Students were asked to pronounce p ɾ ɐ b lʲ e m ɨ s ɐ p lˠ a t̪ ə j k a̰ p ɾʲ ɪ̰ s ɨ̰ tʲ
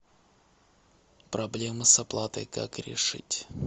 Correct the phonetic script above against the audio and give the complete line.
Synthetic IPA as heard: p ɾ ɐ b lʲ e m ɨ s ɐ p lˠ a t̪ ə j k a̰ k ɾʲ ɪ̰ ʂ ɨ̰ tʲ